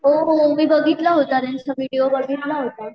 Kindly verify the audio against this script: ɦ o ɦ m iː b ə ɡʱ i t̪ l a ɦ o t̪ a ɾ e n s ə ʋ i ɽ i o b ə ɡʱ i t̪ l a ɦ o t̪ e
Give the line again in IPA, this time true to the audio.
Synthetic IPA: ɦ o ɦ m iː b ə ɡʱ i t̪ l a ɦ o t̪ a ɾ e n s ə ʋ i ɽ i o b ə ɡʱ i t̪ l a ɦ o t̪ a